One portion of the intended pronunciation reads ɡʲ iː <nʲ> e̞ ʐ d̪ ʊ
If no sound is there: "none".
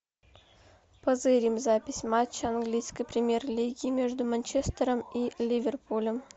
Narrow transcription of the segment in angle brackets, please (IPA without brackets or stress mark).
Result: mʲ